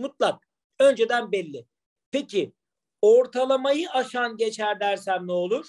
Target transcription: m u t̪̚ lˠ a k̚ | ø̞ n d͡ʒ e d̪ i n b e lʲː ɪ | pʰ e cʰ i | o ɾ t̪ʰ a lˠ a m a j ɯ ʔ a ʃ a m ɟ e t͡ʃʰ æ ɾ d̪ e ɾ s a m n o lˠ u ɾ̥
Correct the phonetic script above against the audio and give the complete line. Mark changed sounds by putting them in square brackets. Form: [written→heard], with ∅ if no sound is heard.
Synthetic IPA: m u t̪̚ lˠ a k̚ | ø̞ n d͡ʒ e d̪ [i→æ] n b [e→ɛ] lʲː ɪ | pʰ e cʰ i | o ɾ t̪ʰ a lˠ a m a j ɯ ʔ a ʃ a [m→n] ɟ e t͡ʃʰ æ ɾ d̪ [e→æ] ɾ s [a→æ] m n o lˠ u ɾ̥